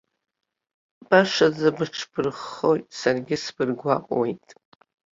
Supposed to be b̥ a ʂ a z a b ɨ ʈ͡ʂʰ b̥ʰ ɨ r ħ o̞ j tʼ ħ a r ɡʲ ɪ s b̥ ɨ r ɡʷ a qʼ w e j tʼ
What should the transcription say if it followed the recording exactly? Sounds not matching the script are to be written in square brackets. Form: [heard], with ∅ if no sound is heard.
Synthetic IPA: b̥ a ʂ a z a b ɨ ʈ͡ʂʰ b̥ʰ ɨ r [χ] o̞ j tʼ [s] a r ɡʲ ɪ s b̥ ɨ r ɡʷ a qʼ w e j tʼ